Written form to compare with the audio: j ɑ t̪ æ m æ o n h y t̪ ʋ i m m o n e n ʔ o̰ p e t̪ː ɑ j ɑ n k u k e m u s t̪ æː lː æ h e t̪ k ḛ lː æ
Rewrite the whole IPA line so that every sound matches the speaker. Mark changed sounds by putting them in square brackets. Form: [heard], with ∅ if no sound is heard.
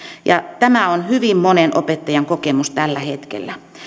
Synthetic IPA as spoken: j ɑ t̪ æ m æ o n h y [∅] ʋ i m m o n e n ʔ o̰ p e t̪ː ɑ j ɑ [ŋ] k [o] k e m u s t̪ [æ] lː æ h e t̪ k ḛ lː æ